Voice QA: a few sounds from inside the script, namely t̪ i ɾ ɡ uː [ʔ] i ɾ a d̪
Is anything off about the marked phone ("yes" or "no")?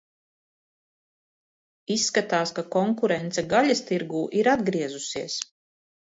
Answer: no